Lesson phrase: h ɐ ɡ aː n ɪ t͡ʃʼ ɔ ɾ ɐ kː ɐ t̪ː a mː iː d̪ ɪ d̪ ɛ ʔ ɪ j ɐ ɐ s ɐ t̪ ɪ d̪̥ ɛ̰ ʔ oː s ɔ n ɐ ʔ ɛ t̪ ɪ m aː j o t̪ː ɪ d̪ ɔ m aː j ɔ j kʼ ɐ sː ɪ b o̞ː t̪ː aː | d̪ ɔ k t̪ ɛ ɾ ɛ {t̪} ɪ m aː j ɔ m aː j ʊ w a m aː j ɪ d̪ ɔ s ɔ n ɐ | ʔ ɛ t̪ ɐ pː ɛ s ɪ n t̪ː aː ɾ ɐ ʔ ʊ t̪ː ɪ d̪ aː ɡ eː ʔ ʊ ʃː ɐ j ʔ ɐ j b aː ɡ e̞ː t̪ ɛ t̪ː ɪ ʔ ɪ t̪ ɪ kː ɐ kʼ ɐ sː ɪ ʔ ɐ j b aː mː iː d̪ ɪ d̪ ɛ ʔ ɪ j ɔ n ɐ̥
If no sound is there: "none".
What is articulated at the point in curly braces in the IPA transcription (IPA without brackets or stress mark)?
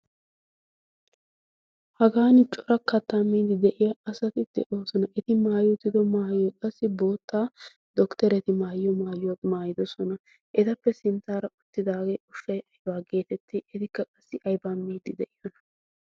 t̪